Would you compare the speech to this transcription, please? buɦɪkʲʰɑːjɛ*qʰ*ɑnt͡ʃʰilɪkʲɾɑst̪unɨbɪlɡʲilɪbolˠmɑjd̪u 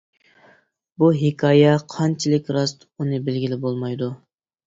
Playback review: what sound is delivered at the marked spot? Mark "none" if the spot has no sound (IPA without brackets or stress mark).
qʰ